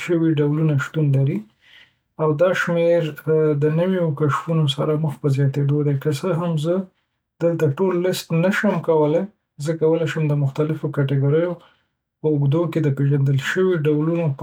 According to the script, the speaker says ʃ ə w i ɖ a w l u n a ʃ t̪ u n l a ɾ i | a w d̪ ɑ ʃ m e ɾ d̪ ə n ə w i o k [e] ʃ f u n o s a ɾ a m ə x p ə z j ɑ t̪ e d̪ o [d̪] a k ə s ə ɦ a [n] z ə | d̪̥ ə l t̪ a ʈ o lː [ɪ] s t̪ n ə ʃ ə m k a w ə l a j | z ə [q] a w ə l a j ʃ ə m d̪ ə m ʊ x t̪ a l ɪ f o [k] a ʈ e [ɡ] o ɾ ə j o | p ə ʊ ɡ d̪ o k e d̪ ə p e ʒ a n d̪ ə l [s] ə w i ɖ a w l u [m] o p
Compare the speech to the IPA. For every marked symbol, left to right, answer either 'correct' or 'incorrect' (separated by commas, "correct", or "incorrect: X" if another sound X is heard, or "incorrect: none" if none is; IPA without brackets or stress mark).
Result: incorrect: a, correct, incorrect: m, correct, incorrect: k, correct, correct, incorrect: ʃ, incorrect: n